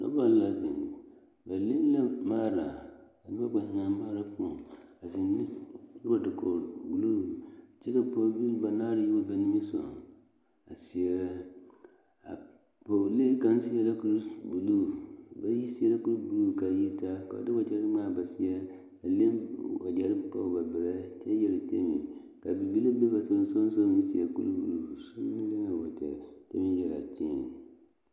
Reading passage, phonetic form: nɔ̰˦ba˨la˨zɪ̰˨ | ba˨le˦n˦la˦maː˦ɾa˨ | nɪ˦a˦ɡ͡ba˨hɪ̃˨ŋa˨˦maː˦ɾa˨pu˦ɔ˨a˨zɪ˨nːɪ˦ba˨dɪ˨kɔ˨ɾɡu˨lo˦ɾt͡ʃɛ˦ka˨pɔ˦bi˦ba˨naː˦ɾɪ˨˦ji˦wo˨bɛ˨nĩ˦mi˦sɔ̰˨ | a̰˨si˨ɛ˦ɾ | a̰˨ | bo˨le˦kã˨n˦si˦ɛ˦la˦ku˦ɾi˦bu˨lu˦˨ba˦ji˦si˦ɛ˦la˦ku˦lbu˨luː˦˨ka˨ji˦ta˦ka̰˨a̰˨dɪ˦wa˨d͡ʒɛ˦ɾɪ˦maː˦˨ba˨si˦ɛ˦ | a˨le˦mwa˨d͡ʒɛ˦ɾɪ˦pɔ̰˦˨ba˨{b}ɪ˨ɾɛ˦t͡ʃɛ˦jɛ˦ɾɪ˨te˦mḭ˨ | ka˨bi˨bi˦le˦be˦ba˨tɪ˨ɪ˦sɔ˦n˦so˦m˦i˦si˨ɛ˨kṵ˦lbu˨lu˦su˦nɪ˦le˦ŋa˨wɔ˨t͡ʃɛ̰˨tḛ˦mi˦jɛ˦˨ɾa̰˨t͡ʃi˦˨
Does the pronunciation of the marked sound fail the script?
no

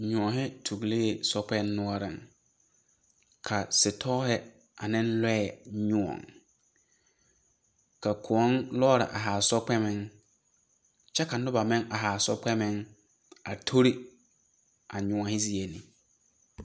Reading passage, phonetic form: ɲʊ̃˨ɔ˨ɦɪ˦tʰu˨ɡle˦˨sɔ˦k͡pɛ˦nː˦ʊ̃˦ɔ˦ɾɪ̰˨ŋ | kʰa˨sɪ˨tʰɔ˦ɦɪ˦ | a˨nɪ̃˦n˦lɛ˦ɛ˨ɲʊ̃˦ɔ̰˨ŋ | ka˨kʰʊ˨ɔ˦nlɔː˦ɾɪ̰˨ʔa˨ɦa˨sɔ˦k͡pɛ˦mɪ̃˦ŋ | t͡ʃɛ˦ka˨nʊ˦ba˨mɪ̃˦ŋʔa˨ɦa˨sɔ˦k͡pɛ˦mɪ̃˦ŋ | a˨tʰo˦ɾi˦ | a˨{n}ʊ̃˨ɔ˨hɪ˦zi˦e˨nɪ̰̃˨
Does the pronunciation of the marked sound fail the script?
yes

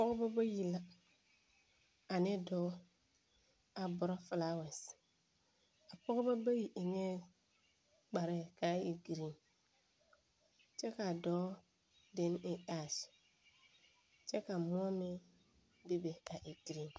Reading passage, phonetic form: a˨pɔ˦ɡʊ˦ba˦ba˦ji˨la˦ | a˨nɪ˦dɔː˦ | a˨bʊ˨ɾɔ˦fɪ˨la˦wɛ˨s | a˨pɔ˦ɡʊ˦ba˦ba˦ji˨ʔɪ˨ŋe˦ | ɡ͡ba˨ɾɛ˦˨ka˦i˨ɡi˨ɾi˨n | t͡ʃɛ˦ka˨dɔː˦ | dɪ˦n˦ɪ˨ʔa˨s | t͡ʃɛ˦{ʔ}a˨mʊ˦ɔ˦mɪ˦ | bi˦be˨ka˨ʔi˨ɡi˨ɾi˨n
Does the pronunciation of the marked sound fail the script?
yes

